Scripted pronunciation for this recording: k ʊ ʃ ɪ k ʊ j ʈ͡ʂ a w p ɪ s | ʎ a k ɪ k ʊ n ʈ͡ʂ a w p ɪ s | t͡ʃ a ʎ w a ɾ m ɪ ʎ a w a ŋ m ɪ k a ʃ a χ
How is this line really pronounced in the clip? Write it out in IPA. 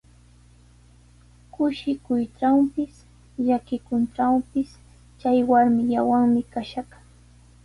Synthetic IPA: k ʊ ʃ ɪ k ʊ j ʈ͡ʂ a w p ɪ s | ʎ a k ɪ k ʊ n ʈ͡ʂ a w p ɪ s | t͡ʃ a j w a ɾ m ɪ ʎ a w a ŋ m ɪ k a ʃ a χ

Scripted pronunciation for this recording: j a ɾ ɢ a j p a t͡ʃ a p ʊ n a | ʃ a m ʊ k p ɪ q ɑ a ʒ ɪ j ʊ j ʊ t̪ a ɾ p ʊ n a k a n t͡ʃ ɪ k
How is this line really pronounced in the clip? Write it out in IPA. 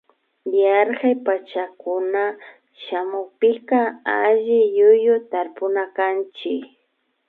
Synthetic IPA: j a ɾ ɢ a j p a t͡ʃ a k ʊ n a | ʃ a m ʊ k p ɪ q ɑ a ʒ ɪ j ʊ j ʊ t̪ a ɾ p ʊ n a k a n t͡ʃ ɪ k

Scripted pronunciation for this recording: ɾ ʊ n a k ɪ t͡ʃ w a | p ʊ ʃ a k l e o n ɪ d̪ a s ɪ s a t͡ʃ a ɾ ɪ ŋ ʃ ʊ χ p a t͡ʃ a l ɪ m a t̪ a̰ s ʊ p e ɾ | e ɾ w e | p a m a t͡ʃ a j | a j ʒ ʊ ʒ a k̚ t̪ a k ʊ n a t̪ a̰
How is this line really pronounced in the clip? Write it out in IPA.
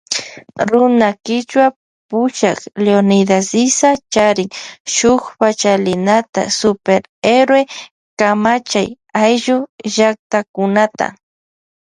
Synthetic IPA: ɾ ʊ n a k ɪ t͡ʃ w a | p ʊ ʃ a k l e o n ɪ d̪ a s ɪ s a t͡ʃ a ɾ ɪ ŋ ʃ ʊ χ p a t͡ʃ a l ɪ n a t̪ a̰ s ʊ p e ɾ | e ɾ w e | k a m a t͡ʃ a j | a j ʒ ʊ ʒ a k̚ t̪ a k ʊ n a t̪ a̰

